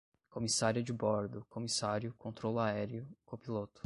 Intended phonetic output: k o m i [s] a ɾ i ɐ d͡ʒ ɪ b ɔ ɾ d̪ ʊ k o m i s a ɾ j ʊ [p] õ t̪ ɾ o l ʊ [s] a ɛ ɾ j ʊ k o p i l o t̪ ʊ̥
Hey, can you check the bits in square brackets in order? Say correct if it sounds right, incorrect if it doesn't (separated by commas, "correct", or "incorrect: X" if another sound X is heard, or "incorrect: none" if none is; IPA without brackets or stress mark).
correct, incorrect: k, incorrect: none